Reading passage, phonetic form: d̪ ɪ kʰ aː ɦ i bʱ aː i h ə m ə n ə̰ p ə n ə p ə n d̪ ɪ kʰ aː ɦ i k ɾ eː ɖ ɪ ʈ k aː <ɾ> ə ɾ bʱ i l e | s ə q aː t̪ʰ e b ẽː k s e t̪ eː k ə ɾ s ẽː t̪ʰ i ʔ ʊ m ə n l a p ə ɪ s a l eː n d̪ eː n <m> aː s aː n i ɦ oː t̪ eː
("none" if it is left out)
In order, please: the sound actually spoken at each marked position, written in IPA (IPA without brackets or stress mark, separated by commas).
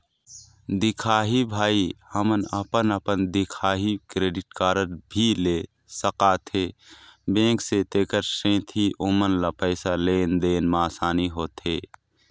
ɾ, m